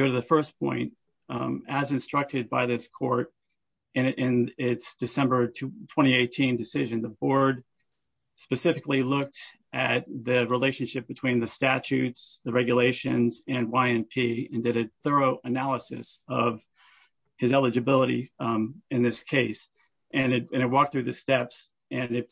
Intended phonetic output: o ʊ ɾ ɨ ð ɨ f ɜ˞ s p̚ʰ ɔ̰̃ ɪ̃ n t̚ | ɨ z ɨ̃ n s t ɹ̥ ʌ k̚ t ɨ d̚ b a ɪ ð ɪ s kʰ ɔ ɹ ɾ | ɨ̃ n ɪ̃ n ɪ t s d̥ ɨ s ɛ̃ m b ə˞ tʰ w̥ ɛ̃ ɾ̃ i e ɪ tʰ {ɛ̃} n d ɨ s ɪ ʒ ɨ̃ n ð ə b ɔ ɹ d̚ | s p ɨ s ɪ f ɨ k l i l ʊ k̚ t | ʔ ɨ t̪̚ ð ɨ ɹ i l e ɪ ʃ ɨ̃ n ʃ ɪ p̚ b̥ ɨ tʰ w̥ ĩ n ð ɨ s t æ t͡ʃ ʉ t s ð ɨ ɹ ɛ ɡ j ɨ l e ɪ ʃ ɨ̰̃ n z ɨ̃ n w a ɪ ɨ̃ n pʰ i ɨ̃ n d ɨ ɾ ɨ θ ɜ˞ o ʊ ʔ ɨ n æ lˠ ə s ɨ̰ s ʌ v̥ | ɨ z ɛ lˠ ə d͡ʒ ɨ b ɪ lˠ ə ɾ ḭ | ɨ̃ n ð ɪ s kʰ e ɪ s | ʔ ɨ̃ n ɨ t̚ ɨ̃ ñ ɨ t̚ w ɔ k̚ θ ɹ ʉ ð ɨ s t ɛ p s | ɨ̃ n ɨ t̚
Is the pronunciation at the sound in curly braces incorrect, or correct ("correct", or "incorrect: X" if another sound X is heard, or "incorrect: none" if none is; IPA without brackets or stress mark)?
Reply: incorrect: ĩ